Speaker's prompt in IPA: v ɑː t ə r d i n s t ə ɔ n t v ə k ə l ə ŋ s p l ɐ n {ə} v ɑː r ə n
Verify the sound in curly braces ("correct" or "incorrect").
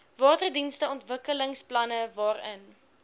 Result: correct